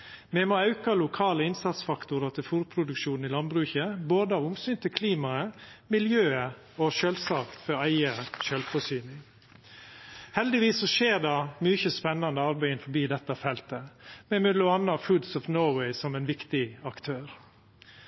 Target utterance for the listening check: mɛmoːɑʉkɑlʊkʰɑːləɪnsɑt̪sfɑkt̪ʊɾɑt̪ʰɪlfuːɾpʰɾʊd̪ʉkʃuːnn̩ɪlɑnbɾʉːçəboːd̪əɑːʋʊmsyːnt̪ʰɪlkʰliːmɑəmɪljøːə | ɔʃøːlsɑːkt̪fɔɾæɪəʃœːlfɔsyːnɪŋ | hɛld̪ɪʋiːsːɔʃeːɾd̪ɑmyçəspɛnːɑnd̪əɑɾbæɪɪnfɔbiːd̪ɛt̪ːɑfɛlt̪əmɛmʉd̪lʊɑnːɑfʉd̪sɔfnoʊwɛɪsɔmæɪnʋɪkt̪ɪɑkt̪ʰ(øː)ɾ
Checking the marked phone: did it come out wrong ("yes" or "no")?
no